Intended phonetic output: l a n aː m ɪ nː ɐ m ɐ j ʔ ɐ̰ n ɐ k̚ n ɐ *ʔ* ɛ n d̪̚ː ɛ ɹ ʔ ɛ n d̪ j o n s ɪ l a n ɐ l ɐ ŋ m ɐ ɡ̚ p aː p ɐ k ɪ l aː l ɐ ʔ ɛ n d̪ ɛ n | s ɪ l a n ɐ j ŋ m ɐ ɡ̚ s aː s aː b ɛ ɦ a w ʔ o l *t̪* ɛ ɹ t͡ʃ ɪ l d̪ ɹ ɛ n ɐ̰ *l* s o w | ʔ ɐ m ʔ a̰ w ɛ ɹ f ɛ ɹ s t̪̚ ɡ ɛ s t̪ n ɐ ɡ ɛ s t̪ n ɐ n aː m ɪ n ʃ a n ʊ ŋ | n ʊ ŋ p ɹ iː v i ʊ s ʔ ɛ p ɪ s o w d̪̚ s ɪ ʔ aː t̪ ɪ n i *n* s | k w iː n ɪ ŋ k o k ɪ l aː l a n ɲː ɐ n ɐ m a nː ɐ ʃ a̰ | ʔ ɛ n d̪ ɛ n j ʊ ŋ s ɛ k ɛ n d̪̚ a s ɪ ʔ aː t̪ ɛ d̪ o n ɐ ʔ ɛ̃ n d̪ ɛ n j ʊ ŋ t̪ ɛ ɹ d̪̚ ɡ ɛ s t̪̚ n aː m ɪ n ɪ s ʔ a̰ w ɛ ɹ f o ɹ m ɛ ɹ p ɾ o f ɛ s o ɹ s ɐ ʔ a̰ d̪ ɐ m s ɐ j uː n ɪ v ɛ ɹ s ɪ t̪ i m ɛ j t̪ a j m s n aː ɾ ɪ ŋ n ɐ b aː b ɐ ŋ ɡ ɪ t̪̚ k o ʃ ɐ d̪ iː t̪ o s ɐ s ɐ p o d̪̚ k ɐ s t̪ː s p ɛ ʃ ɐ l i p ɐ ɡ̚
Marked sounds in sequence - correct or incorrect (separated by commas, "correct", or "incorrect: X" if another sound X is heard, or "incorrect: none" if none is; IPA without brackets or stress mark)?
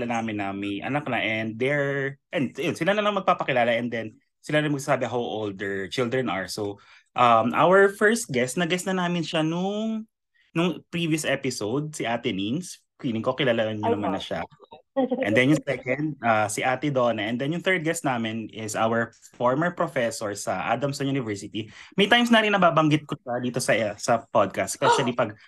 correct, incorrect: d̪, incorrect: ɹ, correct